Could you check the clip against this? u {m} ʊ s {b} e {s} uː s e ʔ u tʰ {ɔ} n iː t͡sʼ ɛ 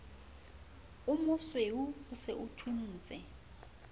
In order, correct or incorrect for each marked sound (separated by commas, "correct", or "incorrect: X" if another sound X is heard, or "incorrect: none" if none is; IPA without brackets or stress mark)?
correct, incorrect: w, incorrect: none, incorrect: u